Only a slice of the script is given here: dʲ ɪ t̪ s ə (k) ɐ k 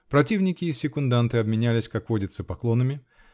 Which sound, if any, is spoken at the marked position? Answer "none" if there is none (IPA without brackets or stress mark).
p